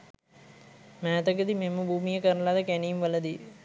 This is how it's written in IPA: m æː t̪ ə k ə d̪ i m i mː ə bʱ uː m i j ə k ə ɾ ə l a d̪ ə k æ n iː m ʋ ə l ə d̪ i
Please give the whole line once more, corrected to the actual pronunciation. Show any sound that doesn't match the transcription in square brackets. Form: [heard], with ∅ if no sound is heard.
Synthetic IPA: m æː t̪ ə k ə d̪ i m [e] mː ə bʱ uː m i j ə k ə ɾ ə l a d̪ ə k æ n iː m ʋ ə l ə d̪ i

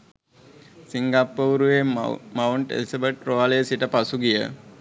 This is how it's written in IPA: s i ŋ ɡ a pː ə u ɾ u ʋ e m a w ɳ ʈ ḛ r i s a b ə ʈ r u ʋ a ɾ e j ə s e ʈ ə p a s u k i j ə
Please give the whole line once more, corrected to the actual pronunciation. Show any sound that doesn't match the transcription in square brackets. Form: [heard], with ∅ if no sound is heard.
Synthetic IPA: s i ŋ ɡ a pː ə u ɾ u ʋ e m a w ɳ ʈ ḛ [l] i s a b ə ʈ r [o] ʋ a [l] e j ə s [i] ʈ ə p a s u [ɡ] i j ə

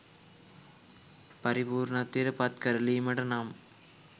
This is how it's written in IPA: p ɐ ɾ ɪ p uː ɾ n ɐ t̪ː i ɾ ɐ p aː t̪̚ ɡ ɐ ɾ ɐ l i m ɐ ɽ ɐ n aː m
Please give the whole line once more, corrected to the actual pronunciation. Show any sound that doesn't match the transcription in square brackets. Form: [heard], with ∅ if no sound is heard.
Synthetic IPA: p ɐ ɾ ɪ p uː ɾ n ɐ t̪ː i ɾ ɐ p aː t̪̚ [k] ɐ ɾ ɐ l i m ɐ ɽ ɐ n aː m

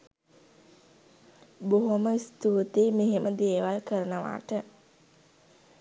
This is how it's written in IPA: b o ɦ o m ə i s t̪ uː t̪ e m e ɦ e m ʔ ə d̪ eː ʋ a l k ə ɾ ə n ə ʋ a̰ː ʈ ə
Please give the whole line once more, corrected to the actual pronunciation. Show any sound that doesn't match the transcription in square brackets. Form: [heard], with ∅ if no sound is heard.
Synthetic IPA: b o ɦ o m ə i s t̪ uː t̪ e m e ɦ e m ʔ ə d̪ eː ʋ a l k ə ɾ ə n ə ʋ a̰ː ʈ ə

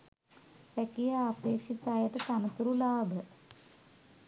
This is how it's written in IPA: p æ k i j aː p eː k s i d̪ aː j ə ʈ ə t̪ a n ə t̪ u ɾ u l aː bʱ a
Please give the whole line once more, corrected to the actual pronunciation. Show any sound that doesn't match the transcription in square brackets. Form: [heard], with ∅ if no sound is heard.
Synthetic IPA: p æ k i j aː p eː k [ʂ] i [t̪] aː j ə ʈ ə t̪ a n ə t̪ u ɾ u l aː bʱ [ə]

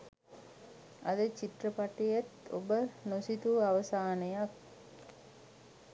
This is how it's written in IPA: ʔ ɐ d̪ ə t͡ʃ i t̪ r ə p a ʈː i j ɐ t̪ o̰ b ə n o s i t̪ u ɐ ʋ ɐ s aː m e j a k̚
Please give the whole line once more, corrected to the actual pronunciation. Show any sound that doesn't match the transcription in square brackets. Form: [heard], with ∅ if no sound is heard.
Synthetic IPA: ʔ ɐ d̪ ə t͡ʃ i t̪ r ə p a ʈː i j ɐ t̪ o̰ b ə n o s i t̪ u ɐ ʋ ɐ s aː [n] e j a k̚

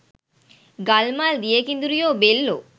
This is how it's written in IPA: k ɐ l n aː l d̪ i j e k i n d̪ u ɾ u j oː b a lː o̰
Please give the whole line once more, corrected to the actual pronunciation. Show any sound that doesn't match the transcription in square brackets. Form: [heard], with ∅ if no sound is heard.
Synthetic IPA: [ɡ] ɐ l [m] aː l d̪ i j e k i n d̪ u ɾ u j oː b [e] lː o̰

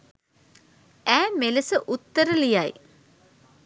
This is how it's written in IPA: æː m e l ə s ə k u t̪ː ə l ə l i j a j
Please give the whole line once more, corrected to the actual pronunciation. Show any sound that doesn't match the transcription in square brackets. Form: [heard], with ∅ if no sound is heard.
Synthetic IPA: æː m e l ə s ə [ʔ] u t̪ː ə [ɾ] ə l i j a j

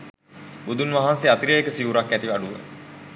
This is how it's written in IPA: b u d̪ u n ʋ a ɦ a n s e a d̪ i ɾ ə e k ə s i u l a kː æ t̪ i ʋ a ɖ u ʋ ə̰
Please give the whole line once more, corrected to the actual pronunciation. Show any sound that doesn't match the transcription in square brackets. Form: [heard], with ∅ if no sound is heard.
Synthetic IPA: b u d̪ u n ʋ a ɦ a n s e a [t̪] i ɾ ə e k ə s i u [ɾ] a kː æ t̪ i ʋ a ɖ u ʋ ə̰

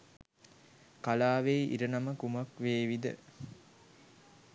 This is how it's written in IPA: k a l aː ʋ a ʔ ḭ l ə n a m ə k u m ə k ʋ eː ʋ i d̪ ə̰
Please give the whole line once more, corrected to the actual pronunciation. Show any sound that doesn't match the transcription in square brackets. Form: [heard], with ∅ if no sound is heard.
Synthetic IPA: k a l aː ʋ [e] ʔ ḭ [ɾ] ə n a m ə k u m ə k ʋ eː ʋ i d̪ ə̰

